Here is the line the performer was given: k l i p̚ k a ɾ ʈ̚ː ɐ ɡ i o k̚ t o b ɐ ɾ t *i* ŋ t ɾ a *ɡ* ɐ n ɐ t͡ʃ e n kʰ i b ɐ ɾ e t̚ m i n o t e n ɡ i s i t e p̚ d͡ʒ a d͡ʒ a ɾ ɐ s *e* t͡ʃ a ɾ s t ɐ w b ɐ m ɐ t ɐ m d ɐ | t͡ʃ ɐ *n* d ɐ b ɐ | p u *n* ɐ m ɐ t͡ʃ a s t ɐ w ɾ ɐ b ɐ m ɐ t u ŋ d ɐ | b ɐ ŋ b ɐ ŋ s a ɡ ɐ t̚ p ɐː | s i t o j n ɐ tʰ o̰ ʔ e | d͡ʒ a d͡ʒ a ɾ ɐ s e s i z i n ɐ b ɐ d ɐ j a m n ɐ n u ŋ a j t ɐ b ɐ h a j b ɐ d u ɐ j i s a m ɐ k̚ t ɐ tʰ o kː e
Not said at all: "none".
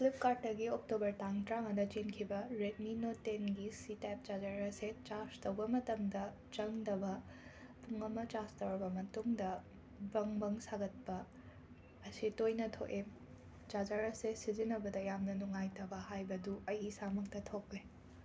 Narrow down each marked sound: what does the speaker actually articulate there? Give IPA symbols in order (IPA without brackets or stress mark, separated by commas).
a, ŋ, e, ŋ, ŋ